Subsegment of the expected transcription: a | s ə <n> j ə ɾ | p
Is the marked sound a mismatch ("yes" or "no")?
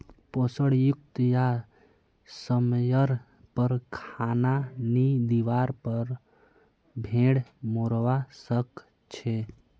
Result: yes